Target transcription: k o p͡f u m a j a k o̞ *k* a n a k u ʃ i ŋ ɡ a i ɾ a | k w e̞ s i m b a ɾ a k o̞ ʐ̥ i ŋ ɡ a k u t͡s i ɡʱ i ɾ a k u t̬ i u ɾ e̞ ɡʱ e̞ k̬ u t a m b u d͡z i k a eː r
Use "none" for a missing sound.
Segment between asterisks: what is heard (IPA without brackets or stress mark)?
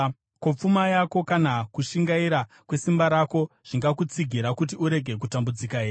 k